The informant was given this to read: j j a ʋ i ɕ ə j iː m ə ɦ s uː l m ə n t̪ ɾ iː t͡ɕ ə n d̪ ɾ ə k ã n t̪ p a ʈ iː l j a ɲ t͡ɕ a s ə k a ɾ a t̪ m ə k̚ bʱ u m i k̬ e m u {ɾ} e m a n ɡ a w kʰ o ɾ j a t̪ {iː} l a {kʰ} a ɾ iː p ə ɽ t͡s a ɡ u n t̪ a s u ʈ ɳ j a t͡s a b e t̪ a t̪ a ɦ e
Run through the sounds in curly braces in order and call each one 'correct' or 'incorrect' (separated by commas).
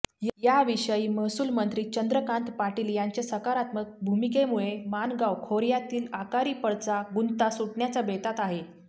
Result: incorrect, correct, incorrect